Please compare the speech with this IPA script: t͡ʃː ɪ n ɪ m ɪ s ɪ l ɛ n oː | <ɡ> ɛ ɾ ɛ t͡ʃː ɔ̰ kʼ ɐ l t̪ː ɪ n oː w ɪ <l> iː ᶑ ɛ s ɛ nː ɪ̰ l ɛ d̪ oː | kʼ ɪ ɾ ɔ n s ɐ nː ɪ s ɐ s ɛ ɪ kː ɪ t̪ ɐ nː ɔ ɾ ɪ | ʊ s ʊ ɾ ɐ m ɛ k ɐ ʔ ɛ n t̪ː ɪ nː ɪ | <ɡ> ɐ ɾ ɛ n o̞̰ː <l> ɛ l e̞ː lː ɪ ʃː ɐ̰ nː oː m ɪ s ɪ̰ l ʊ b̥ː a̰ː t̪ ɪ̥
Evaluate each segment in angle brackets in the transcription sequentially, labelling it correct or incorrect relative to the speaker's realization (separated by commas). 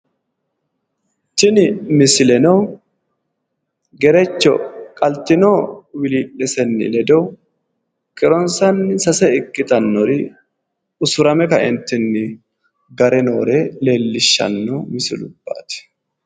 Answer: correct, correct, correct, incorrect